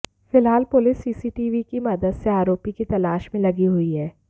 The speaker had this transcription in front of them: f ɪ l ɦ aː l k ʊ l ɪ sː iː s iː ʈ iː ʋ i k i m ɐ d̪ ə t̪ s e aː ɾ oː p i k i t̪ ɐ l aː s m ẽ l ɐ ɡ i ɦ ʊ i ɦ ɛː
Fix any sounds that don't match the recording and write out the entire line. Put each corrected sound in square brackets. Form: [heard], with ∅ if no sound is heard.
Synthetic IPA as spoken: f ɪ l ɦ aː l [p] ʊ l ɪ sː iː s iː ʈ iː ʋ i k i m ɐ d̪ ə [d̪] s e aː ɾ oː p i k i t̪ ɐ l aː [ʃ] m ẽ l ɐ ɡ i ɦ ʊ i ɦ ɛː